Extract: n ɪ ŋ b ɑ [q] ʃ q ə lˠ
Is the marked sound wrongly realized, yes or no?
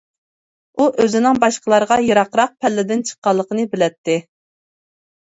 yes